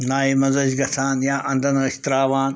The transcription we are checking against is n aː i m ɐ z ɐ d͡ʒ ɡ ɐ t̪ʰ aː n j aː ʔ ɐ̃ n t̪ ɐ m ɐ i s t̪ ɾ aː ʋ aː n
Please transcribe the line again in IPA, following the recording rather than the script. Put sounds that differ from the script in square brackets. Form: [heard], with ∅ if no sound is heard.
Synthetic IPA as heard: n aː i m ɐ z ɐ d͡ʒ ɡ ɐ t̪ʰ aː n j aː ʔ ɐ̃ n [d̪] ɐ [n] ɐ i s t̪ ɾ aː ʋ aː n